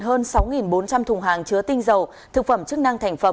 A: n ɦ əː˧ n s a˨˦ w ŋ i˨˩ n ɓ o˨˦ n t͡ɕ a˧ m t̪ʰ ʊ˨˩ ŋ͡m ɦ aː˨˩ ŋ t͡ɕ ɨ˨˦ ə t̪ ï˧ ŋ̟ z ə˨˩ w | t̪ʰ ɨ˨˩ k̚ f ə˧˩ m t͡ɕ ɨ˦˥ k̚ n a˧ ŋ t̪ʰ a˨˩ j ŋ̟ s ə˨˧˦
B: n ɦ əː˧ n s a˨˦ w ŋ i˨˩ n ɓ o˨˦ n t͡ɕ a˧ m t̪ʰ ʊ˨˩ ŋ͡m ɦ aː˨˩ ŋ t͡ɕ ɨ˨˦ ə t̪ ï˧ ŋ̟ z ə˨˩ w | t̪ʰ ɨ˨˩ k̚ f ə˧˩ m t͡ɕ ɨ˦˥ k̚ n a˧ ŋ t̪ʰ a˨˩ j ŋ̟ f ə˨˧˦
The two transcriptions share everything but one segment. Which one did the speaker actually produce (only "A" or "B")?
B